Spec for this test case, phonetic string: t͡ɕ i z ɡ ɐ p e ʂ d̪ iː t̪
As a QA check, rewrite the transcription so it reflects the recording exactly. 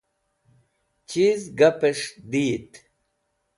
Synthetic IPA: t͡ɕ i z ɡ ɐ p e ʂ d̪ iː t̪